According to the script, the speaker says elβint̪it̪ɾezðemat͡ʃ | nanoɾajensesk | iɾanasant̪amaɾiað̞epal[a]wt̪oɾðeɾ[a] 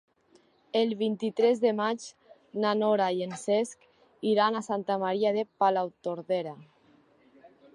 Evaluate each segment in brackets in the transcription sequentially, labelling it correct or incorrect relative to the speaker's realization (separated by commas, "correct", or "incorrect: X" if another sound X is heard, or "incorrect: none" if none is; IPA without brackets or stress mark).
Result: correct, correct